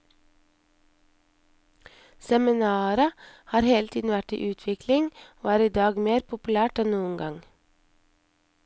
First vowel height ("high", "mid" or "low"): mid